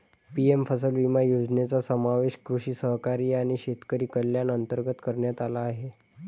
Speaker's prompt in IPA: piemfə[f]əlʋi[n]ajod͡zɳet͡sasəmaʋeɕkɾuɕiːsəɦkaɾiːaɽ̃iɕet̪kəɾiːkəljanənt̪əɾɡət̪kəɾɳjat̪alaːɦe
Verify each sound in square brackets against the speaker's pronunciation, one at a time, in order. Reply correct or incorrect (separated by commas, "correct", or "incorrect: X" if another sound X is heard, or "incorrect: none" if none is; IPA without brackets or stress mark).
incorrect: s, incorrect: m